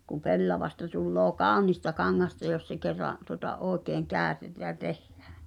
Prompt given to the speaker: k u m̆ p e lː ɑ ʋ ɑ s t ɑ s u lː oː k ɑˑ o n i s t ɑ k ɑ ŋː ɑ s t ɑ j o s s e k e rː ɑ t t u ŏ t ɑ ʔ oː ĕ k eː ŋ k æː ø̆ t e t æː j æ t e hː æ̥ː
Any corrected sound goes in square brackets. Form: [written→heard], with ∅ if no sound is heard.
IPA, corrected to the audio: k u m̆ p e lː ɑ ʋ ɑ s t ɑ [s→t] u lː oː k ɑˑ o n i s t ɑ k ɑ ŋː ɑ s t ɑ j o s s e k e rː ɑ [t→ʔ] t u ŏ t ɑ ʔ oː ĕ k eː ŋ k æː ø̆ t e t æː j æ t e hː æ̥ː